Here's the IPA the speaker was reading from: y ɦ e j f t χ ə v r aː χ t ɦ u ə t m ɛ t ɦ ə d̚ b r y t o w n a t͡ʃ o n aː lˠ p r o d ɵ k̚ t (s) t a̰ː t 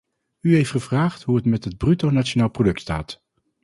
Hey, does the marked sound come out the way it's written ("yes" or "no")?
yes